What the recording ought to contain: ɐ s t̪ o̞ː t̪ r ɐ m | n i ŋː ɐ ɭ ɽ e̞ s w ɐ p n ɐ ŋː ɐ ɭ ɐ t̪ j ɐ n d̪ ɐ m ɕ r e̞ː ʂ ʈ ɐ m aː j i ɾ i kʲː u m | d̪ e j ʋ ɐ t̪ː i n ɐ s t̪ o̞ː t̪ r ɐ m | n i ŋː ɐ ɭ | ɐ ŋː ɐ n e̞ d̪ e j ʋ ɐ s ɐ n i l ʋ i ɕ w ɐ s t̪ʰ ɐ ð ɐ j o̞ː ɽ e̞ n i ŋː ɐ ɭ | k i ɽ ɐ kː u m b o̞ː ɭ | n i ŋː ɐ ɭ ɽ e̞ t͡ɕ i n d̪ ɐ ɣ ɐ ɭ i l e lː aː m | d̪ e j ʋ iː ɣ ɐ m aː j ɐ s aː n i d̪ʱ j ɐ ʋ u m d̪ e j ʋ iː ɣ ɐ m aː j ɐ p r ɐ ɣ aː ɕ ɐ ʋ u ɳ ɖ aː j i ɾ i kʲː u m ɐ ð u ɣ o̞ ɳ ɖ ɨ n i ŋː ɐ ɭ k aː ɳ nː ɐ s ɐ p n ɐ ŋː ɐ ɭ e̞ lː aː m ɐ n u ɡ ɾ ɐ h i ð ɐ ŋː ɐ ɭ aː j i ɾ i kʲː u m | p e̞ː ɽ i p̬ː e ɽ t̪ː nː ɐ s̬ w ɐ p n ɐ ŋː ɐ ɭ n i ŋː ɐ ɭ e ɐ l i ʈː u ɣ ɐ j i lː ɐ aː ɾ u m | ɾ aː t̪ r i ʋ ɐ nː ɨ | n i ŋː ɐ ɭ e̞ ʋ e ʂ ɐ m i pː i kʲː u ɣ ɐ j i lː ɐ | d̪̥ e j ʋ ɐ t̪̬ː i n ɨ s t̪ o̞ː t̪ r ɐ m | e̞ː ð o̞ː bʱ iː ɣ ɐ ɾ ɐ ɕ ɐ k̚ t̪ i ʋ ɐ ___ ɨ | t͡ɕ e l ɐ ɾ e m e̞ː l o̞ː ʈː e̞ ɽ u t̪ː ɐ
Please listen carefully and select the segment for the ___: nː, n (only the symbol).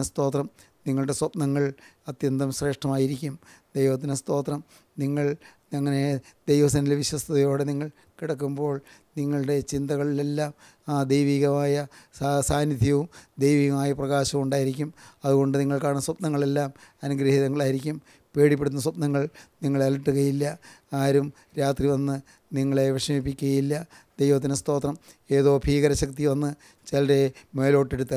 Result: nː